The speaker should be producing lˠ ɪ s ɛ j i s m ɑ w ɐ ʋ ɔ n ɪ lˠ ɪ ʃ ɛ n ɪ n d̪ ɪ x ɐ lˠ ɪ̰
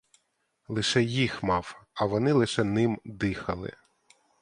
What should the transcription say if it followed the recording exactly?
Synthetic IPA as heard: lˠ ɪ ʃ ɛ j i x m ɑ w ɐ ʋ ɔ n ɪ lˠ ɪ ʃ ɛ n ɪ m d̪ ɪ x ɐ lˠ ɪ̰